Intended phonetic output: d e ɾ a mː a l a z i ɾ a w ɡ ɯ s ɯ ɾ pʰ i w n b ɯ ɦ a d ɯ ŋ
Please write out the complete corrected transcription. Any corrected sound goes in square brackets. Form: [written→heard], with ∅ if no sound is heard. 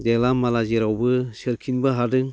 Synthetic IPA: d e [ɾ→l] a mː a l a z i ɾ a w [ɡ→b] ɯ s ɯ ɾ [pʰ→kʰ] i [w→∅] n b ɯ ɦ a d ɯ ŋ